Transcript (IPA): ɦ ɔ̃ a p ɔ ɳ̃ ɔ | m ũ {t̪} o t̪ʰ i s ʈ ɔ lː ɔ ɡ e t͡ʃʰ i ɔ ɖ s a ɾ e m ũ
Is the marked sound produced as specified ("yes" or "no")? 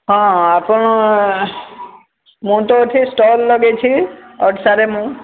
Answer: yes